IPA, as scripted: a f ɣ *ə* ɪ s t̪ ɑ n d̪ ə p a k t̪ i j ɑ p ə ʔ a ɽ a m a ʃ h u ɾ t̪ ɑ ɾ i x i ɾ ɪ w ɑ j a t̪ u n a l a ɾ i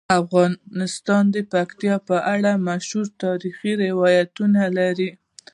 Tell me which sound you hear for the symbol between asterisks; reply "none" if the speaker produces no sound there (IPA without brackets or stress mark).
ɑ